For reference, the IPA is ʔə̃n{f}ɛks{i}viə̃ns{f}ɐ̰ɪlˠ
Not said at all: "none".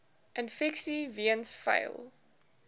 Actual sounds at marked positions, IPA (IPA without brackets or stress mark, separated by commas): f, i, f